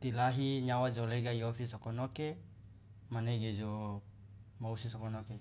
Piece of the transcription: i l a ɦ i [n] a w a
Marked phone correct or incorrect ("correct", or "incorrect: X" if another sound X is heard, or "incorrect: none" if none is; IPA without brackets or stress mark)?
incorrect: ɲ